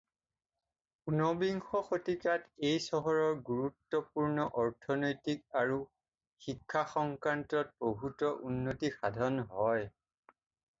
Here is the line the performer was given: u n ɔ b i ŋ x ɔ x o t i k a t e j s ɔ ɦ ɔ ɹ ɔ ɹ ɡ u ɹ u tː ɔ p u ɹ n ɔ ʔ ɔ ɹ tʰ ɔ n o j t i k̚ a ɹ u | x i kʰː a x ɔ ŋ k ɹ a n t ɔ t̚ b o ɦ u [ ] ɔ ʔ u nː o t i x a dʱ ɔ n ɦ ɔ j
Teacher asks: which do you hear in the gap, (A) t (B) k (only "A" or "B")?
A